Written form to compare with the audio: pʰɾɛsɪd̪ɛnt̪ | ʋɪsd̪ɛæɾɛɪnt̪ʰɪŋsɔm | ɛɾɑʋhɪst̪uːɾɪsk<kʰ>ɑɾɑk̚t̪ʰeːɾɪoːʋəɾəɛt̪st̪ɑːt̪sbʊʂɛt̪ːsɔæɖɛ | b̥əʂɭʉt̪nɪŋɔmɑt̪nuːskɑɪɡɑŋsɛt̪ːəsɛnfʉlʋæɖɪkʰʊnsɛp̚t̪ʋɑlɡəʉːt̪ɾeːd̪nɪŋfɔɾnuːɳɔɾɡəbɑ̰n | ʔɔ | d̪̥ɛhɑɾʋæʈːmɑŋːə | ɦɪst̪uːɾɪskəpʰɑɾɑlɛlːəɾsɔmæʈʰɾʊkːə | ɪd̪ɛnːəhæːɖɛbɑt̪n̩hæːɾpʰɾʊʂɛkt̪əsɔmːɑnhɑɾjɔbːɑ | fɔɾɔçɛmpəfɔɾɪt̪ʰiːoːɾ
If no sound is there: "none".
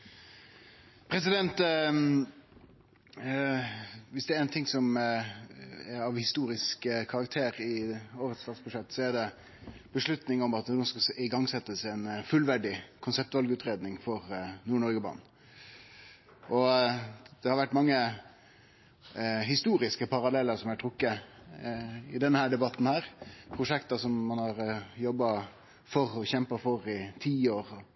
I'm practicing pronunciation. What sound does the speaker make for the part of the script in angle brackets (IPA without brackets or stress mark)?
kʰ